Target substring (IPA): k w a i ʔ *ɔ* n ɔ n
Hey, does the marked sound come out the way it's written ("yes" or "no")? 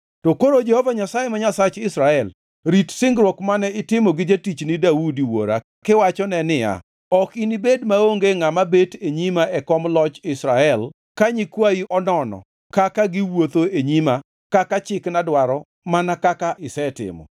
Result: yes